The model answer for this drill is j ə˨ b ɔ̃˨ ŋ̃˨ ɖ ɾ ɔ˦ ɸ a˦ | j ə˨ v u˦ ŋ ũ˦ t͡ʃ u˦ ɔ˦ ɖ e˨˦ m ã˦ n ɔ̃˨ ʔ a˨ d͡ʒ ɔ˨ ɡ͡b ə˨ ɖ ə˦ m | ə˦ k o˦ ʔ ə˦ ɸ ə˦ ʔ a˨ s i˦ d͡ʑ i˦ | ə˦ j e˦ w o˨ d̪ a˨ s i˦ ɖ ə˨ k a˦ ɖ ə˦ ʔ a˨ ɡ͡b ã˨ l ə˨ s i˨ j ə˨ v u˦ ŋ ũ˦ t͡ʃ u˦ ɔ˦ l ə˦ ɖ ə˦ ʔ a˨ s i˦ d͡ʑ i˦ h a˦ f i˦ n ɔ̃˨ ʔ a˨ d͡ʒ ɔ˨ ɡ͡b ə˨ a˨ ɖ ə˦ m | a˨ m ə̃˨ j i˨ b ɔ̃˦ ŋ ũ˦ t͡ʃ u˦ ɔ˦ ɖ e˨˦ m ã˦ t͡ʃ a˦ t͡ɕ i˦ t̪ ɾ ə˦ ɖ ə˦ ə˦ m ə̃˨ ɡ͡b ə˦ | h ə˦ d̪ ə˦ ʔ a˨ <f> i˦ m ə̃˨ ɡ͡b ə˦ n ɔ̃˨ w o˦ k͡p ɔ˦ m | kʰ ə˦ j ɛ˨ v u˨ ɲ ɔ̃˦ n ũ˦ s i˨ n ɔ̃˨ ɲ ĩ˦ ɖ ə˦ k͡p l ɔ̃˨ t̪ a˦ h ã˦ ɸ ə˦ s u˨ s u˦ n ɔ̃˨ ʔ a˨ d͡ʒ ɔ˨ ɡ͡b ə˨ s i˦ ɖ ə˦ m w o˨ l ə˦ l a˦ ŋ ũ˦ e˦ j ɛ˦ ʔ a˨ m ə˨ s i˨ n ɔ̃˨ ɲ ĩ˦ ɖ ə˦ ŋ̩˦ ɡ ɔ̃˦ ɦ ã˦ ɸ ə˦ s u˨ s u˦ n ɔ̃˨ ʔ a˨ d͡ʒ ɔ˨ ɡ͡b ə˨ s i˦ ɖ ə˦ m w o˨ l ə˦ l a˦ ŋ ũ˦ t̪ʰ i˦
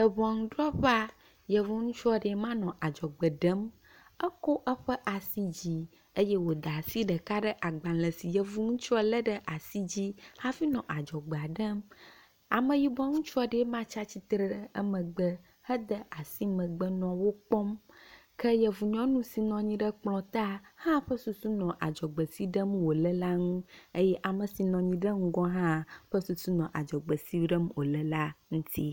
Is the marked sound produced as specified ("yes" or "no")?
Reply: no